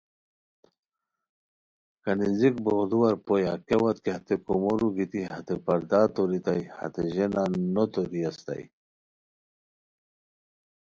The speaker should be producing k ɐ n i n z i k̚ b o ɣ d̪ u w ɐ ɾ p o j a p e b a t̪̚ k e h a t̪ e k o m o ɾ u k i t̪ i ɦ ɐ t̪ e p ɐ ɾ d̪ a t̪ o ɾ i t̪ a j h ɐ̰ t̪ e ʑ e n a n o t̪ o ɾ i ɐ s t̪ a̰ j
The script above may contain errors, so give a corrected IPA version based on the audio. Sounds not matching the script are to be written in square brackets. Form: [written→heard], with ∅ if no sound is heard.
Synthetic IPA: k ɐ n i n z i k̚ b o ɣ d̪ u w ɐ ɾ p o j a [p→k] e [b→w] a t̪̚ k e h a t̪ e k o m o ɾ u [k→ɡ] i t̪ i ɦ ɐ t̪ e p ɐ ɾ d̪ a t̪ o ɾ i t̪ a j h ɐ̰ t̪ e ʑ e n a n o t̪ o ɾ i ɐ s t̪ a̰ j